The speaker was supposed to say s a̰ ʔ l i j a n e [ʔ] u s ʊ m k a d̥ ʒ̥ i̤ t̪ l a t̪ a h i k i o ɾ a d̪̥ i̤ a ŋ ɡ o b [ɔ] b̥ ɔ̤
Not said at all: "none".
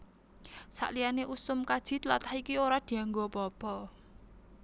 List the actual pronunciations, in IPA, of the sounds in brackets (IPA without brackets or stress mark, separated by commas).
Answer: ʔ, ɔ